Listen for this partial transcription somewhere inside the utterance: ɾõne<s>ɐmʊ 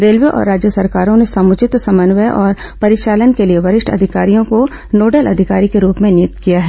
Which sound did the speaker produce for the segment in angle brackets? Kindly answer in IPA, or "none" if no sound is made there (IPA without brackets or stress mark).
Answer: s